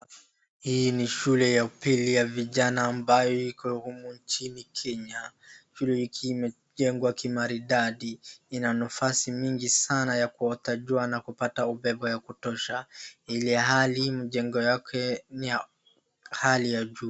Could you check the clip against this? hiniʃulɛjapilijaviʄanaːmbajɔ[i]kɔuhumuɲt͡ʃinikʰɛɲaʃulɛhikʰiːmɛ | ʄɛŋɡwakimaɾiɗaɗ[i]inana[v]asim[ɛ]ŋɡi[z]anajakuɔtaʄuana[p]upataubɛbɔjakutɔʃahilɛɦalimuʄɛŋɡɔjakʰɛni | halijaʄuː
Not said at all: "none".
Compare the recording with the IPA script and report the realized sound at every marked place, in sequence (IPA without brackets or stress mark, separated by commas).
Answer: i, i, f, i, s, k